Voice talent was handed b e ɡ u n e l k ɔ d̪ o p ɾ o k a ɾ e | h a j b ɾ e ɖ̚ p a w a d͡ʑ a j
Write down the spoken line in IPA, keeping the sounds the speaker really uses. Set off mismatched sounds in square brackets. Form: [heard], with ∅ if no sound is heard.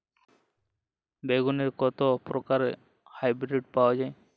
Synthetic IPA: b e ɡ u n e [ɾ] k ɔ [t̪] o p ɾ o k a ɾ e | h a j b ɾ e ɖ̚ p a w a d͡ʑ a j